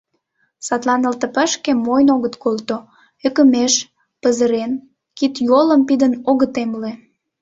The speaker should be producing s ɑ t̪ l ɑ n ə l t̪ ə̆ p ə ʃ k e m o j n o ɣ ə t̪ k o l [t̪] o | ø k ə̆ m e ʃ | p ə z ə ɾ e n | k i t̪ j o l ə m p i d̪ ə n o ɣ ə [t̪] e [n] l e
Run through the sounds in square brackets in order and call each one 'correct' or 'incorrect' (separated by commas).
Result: correct, correct, incorrect